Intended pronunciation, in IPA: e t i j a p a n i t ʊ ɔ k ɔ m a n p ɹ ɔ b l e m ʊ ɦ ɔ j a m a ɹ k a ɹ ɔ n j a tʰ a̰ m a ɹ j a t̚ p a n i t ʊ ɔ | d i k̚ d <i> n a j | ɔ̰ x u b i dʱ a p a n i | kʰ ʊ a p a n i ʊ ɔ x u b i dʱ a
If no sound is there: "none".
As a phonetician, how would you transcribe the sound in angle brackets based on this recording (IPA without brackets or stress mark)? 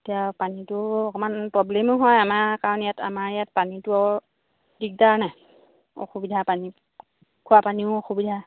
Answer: a